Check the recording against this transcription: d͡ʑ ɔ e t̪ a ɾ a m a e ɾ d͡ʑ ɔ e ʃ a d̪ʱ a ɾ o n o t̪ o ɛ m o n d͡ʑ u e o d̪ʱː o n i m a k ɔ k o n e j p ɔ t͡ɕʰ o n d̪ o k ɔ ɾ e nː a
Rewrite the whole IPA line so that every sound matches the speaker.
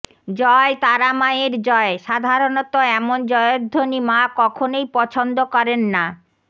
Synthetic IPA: d͡ʑ ɔ e t̪ a ɾ a m a e ɾ d͡ʑ ɔ e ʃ a d̪ʱ a ɾ o n o t̪ o ɛ m o n d͡ʑ ɔ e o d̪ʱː o n i m a k ɔ kʰ o n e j p ɔ t͡ɕʰ o n d̪ o k ɔ ɾ e nː a